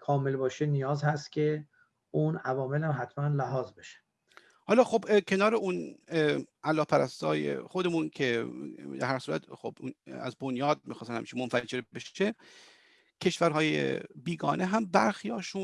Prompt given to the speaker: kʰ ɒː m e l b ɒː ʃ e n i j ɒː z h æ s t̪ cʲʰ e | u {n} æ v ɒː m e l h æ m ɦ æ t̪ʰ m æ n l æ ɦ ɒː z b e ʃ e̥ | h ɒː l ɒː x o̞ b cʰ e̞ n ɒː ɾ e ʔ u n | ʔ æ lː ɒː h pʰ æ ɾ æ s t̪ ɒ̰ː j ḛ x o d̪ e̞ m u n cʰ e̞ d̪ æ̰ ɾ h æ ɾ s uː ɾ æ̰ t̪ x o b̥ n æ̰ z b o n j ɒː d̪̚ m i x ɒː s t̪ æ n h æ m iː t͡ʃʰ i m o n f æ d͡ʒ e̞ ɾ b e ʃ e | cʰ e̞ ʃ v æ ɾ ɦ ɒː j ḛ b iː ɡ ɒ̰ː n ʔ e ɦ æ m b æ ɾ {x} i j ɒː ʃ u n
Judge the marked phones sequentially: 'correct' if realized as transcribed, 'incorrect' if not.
correct, correct

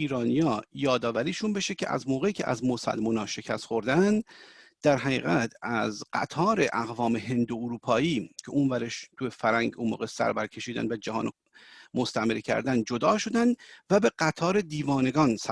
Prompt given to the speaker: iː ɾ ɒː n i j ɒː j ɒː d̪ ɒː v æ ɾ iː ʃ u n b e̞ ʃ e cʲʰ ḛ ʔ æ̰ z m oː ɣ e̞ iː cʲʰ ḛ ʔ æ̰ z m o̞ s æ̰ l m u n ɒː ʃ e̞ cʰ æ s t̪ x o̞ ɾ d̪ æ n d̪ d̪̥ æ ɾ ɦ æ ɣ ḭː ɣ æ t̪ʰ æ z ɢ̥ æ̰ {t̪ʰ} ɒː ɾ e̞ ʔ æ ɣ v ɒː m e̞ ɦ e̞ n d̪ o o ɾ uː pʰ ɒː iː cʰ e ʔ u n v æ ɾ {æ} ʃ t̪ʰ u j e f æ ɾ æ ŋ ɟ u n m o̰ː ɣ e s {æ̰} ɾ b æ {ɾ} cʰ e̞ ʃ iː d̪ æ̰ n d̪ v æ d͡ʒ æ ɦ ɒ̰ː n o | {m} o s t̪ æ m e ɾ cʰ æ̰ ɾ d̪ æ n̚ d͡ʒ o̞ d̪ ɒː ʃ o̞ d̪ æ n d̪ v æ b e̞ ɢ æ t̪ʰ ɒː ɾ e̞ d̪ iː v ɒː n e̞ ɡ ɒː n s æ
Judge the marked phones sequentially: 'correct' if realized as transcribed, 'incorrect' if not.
correct, incorrect: e, correct, correct, correct

